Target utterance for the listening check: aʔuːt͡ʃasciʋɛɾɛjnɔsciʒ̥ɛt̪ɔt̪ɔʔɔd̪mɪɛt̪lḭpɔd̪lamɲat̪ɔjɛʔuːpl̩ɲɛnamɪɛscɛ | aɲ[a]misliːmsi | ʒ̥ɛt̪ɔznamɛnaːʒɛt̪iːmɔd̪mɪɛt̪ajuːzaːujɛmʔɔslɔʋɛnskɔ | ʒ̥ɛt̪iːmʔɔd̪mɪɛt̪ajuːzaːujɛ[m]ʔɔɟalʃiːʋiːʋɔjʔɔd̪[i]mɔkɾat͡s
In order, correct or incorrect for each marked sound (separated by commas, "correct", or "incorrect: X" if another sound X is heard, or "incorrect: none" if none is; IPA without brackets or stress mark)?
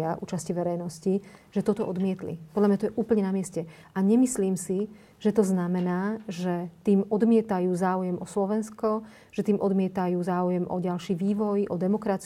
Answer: incorrect: ɛ, correct, incorrect: ɛ